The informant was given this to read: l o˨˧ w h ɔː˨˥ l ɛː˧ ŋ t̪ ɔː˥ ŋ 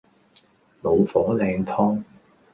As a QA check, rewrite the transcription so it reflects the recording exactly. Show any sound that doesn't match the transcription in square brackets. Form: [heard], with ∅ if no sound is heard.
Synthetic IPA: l o˨˧ w [f] ɔː˨˥ l ɛː˧ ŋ [t̪ʰ] ɔː˥ ŋ